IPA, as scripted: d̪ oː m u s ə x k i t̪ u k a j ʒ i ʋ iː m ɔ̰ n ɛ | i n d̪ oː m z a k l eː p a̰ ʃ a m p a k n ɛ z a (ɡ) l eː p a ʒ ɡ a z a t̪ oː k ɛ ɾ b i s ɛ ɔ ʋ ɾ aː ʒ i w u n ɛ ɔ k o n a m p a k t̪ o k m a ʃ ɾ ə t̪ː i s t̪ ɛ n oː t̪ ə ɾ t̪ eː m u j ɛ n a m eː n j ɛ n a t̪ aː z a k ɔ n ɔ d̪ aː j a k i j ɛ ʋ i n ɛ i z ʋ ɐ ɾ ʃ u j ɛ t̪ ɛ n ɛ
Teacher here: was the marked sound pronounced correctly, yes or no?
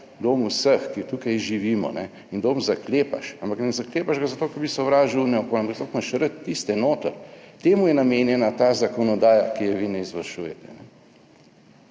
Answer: no